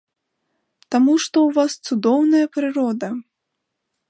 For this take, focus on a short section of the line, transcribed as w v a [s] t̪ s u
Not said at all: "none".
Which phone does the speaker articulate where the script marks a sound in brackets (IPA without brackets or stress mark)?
s